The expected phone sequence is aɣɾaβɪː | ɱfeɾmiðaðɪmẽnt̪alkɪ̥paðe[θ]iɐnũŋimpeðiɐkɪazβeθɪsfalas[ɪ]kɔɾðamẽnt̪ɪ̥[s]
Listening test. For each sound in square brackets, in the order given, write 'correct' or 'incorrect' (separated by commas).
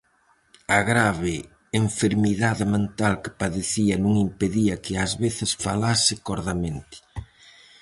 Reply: correct, correct, incorrect